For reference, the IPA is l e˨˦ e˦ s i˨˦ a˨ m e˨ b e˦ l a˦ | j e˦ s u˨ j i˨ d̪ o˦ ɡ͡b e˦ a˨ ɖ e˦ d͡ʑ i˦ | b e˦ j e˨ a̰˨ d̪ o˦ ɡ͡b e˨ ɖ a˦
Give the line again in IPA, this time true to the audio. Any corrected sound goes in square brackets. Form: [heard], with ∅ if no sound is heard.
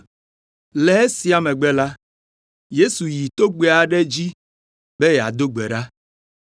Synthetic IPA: l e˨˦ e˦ s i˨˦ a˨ m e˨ [ɡ͡b] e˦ l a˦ | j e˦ s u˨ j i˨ [t̪] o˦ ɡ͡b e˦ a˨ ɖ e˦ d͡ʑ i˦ | b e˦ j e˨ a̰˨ d̪ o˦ ɡ͡b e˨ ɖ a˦